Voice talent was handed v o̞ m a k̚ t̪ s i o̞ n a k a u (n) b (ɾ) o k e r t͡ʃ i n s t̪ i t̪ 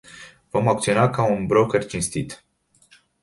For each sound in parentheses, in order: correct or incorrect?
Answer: correct, correct

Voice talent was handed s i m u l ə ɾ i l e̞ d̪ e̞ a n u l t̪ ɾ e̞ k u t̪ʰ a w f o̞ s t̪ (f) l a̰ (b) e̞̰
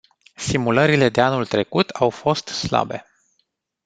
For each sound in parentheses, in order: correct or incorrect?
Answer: incorrect: s, correct

